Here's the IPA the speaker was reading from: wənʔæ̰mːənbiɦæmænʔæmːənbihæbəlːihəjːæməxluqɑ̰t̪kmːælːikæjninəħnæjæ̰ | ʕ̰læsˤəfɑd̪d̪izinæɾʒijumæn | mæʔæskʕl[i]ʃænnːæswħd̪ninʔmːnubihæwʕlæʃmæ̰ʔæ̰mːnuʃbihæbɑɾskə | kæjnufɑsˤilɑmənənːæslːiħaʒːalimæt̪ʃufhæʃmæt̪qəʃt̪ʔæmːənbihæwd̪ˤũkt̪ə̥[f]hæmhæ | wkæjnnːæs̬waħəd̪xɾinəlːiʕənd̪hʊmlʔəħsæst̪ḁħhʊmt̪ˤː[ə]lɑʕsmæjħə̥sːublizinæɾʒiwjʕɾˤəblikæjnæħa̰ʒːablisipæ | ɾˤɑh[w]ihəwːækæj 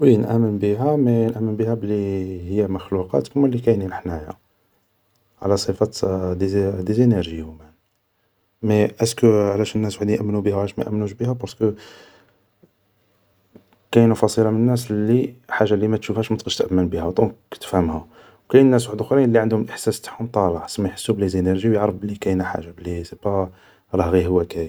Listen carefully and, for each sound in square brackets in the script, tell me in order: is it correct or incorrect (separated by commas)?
incorrect, correct, incorrect, incorrect